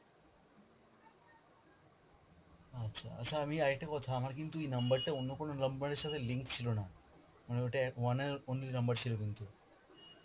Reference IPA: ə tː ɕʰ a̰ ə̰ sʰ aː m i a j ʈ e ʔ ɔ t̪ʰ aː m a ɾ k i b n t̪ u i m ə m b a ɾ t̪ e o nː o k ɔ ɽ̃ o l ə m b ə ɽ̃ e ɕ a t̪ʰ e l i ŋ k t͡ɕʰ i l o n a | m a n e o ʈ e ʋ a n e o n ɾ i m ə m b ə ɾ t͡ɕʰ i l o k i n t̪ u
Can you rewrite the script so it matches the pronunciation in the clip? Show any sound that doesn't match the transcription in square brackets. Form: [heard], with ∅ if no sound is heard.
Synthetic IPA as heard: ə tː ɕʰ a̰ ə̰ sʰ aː m i a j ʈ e [k] ɔ t̪ʰ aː m a ɾ k i [∅] n t̪ u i [n] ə m b [ə] ɾ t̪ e o nː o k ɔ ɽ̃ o l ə m b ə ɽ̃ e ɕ a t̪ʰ e l i ŋ k t͡ɕʰ i l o n a | m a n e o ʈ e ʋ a n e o n [l] i [n] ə m b ə ɾ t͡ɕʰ i l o k i n t̪ u